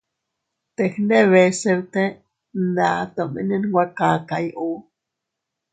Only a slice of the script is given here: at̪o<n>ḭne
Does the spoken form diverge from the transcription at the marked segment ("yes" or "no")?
yes